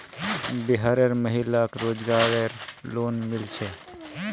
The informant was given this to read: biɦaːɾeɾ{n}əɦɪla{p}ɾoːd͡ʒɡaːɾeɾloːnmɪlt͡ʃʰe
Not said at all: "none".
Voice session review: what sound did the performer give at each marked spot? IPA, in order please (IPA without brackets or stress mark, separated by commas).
m, k